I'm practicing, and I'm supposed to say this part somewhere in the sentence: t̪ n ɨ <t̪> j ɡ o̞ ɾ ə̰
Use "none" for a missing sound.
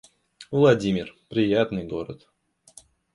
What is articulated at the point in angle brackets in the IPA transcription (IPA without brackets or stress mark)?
none